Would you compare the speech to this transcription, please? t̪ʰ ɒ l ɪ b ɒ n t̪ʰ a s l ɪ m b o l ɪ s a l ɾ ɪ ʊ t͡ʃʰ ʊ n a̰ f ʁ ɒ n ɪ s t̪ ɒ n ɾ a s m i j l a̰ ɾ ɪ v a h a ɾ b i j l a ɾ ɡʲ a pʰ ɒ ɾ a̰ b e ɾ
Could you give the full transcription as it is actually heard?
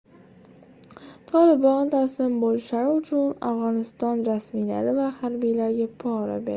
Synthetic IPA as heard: t̪ʰ ɒ l ɪ b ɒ n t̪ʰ a s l ɪ m b o l ɪ ʃ a ɾ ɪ ʊ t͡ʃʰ ʊ n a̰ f ʁ ɒ n ɪ s t̪ ɒ n ɾ a s m i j l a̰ ɾ ɪ v a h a ɾ b i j l a ɾ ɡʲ a pʰ ɒ ɾ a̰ b e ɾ